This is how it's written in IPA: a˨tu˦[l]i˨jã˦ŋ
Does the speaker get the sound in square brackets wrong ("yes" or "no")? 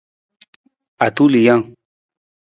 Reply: no